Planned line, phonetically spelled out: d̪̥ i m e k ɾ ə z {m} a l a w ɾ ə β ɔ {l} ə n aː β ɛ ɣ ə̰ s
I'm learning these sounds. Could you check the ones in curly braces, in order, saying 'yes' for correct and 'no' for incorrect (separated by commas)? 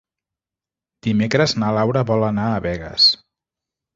no, yes